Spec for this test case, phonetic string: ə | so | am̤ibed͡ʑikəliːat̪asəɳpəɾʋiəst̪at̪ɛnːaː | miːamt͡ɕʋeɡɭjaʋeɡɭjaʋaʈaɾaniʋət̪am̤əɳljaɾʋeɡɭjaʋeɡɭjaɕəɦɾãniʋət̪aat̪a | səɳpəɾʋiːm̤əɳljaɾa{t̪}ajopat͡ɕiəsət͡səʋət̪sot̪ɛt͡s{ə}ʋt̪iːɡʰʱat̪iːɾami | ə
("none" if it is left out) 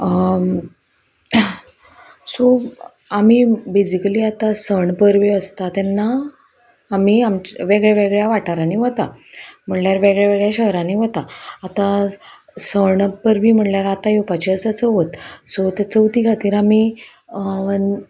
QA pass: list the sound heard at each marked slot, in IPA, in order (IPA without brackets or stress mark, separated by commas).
t̪, ə